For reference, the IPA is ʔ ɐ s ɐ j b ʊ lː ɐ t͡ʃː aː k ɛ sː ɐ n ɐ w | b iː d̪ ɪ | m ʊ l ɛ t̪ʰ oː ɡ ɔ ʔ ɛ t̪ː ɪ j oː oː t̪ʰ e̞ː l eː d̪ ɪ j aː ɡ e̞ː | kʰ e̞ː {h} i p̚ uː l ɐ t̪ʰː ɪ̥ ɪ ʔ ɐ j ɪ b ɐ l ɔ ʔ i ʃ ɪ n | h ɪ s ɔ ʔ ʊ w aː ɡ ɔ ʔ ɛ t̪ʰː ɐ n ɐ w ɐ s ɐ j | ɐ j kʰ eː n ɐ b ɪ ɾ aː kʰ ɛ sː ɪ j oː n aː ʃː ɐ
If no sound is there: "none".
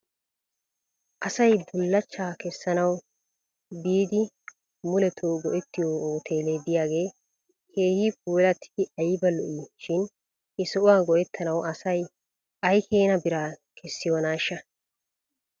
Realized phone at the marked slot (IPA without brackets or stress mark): h